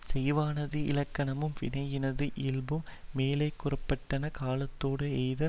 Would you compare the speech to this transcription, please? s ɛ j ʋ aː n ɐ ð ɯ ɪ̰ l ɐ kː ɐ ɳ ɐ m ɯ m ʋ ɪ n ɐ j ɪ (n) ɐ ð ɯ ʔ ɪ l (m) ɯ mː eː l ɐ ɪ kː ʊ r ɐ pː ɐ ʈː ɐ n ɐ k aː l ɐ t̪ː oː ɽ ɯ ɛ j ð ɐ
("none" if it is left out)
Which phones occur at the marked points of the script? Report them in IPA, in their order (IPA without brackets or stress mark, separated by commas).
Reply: n, b